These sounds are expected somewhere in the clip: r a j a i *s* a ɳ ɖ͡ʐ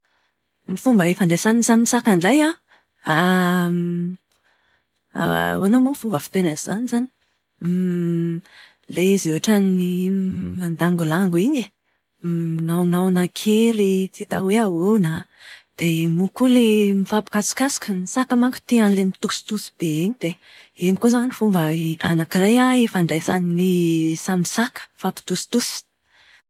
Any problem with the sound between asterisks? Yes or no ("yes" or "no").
yes